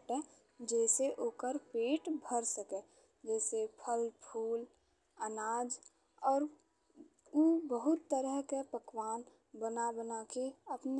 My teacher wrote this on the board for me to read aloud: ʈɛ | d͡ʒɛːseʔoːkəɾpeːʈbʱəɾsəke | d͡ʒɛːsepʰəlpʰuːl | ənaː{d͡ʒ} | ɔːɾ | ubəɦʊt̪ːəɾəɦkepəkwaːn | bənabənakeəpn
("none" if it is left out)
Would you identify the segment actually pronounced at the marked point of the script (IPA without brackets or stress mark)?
d͡ʒ